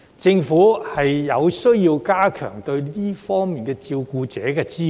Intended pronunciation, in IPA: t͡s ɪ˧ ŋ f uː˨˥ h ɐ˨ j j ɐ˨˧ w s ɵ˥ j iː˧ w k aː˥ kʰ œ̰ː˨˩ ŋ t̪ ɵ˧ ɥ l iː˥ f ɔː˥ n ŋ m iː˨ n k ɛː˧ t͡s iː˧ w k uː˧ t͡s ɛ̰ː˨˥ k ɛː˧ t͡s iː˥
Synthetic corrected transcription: t͡s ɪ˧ ŋ f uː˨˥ h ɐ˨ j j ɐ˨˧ w s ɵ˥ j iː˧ w k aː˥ kʰ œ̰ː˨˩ ŋ t̪ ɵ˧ ɥ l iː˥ f ɔː˥ ŋ m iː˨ n k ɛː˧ t͡s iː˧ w k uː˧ t͡s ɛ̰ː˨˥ k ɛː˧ t͡s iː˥